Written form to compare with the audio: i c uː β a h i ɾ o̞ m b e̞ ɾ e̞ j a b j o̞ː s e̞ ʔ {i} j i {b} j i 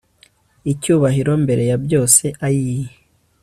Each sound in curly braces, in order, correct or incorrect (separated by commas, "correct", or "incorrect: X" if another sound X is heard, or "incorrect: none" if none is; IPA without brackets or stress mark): incorrect: a, incorrect: none